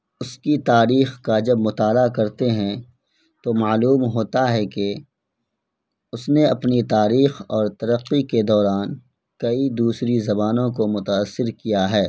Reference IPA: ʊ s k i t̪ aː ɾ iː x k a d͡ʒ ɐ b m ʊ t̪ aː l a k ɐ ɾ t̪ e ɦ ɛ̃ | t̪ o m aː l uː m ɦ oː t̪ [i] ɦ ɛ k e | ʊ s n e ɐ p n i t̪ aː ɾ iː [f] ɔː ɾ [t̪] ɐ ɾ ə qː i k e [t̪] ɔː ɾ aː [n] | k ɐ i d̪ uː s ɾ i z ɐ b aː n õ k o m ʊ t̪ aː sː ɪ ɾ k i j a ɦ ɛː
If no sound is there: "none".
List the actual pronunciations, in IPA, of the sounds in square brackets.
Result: a, x, t̪, d̪, n

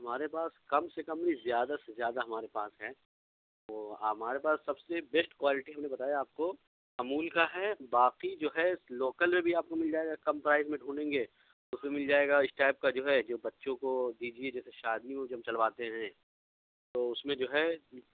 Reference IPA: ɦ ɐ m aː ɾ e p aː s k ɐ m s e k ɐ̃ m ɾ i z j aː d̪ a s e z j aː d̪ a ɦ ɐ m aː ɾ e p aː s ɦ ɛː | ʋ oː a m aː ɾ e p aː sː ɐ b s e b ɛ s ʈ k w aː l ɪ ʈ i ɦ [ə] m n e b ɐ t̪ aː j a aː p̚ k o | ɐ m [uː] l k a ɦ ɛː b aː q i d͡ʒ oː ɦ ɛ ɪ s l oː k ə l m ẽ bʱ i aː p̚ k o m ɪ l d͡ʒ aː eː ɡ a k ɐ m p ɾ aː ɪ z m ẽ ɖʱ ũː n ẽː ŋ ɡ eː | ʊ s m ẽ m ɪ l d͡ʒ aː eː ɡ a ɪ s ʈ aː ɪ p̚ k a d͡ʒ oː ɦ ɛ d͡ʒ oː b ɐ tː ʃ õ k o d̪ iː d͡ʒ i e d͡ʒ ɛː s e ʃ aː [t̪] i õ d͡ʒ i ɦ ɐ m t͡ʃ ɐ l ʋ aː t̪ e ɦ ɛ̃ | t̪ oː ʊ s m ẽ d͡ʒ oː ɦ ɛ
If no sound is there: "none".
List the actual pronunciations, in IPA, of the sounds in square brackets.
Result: ɐ, uː, d̪

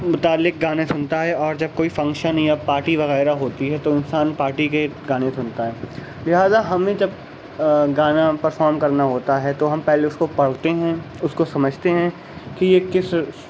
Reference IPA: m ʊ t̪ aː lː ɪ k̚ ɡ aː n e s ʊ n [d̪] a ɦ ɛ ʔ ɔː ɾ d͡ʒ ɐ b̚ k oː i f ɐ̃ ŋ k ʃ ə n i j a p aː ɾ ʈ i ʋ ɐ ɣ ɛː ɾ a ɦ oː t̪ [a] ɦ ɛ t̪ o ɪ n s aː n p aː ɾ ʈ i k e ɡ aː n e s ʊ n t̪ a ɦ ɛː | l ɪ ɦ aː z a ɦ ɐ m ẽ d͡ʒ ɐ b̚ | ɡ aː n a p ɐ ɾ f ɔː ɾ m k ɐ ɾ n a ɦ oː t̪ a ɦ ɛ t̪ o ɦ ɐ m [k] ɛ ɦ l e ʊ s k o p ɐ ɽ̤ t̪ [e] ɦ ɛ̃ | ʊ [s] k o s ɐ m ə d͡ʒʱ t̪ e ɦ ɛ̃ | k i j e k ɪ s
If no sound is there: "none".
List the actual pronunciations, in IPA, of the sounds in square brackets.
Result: t̪, i, p, e, s

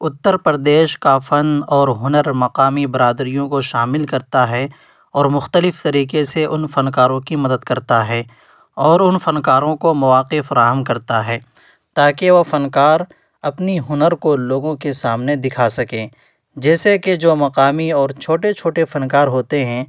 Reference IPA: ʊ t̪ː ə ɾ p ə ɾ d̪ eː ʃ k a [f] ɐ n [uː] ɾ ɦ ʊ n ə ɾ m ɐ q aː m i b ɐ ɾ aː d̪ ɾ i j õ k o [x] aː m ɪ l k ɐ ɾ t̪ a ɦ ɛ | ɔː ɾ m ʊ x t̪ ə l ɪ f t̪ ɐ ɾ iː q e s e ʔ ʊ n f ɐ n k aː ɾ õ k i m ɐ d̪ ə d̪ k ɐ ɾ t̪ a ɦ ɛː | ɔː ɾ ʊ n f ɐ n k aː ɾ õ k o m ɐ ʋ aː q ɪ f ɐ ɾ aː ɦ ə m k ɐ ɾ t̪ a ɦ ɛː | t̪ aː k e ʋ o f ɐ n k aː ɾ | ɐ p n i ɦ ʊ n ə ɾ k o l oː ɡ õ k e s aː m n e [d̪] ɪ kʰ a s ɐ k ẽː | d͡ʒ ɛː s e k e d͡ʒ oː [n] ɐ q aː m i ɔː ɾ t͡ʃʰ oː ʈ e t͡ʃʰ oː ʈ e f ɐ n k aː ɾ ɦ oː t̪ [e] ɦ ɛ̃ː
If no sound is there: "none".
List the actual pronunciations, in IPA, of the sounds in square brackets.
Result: f, ɔː, ʃ, d̪, m, e

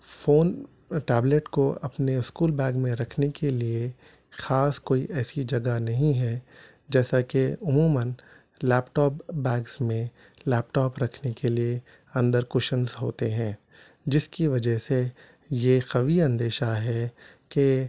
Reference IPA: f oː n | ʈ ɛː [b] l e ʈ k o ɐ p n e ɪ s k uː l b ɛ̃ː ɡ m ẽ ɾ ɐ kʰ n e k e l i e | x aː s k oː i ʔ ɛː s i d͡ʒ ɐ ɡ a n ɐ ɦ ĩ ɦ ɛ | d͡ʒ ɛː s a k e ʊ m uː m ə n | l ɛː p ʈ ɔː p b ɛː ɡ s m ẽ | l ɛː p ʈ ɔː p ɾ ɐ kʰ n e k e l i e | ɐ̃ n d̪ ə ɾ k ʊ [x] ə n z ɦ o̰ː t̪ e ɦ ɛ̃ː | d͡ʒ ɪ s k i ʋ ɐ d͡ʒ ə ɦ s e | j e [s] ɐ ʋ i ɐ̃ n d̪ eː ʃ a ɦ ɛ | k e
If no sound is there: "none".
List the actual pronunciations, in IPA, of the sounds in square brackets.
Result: b, ʃ, x

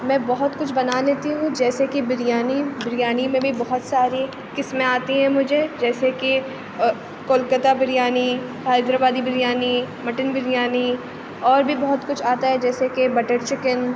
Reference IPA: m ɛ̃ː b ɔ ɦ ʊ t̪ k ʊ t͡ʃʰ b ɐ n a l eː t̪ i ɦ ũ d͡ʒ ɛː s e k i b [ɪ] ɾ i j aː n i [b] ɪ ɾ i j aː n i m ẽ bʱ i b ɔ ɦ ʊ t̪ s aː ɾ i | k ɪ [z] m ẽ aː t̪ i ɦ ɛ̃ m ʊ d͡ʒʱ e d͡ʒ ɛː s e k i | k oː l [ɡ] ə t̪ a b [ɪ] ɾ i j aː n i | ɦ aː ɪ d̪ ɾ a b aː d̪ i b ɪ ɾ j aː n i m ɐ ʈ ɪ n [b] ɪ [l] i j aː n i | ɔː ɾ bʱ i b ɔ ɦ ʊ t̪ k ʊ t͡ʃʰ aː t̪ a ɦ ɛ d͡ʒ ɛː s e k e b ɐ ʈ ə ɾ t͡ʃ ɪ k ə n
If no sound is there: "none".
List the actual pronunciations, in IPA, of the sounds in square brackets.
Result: ɪ, b, s, k, ɪ, b, ɾ

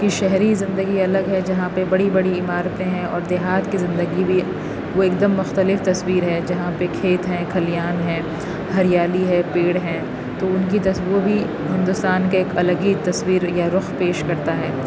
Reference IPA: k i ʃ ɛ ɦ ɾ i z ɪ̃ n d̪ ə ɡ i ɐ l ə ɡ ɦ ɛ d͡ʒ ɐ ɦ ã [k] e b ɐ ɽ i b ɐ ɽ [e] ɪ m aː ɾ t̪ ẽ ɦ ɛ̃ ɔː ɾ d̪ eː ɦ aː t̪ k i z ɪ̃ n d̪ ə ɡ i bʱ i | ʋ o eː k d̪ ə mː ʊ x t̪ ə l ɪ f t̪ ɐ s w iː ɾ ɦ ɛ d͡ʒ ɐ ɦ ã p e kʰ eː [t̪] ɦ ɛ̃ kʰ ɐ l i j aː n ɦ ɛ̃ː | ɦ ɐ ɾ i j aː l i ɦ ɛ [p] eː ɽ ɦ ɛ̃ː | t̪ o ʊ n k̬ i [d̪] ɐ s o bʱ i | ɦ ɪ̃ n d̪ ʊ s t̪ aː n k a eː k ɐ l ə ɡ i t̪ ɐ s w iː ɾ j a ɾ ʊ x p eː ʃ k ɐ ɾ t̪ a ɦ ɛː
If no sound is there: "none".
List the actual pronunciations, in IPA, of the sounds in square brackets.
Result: p, i, t̪, p, t̪

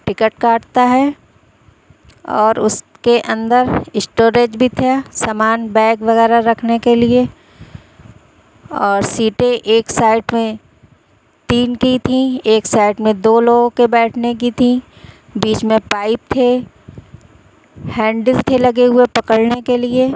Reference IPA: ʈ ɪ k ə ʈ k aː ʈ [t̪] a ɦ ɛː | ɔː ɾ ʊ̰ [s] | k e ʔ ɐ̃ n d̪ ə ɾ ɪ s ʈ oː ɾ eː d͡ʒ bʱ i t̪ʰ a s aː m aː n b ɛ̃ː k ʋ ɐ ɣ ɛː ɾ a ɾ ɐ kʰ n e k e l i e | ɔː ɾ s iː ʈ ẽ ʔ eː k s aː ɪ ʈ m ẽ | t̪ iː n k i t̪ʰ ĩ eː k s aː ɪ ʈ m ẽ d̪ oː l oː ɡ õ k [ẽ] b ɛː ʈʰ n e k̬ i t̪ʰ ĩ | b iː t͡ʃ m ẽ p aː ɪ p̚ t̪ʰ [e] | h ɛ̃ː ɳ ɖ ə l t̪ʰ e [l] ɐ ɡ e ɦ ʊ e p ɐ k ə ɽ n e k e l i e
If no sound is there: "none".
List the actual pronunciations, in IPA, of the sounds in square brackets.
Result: t̪, s, e, e, l

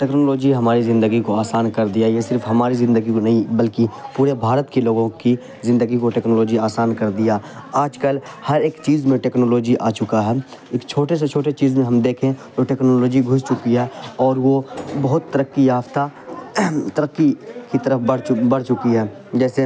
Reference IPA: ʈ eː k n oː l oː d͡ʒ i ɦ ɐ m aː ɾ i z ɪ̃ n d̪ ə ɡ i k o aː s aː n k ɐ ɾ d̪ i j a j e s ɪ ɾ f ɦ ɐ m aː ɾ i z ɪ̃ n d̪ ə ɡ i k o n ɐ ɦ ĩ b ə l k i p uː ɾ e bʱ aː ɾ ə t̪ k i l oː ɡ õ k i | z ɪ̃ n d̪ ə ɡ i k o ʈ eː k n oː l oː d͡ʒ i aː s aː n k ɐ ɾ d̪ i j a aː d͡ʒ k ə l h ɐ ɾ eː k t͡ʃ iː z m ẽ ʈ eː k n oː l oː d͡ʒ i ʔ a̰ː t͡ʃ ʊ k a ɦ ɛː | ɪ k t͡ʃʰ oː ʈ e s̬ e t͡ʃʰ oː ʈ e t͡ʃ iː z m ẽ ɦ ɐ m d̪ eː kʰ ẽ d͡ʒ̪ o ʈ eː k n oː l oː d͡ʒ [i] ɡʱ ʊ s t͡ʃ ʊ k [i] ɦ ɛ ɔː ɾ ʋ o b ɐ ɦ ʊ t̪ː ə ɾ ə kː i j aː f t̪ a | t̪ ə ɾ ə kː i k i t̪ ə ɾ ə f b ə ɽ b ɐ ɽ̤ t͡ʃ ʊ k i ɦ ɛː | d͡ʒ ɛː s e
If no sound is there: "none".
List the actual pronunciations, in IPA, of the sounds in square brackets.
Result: i, i

